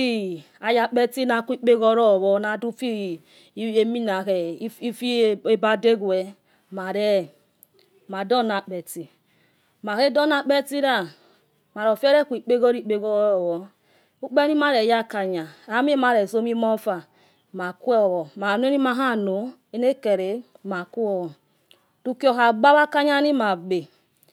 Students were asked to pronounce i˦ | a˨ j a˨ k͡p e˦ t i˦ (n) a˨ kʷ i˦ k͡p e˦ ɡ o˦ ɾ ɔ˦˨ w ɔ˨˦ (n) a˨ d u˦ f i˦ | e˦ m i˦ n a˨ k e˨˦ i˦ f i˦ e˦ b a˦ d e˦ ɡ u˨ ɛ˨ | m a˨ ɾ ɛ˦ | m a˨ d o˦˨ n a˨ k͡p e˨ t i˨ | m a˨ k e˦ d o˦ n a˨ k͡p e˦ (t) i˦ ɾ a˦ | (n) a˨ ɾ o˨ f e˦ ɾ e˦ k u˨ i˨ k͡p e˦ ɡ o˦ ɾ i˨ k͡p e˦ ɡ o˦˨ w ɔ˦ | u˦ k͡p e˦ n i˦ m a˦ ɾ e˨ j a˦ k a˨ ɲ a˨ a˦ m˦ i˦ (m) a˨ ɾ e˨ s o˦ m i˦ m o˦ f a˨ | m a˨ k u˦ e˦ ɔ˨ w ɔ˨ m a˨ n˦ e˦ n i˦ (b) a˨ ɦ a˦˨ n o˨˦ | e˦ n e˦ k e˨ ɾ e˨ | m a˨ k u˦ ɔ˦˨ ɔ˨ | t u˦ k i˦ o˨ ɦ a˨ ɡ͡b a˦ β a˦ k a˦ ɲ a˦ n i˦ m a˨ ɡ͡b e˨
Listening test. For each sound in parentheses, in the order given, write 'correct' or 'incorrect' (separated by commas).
correct, correct, correct, incorrect, correct, incorrect